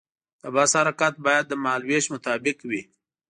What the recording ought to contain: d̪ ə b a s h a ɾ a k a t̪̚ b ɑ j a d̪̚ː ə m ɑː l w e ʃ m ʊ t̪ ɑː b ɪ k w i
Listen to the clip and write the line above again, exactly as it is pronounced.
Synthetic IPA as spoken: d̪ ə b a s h a ɾ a k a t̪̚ b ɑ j a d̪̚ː ə m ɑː l w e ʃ m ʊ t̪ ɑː b ɪ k w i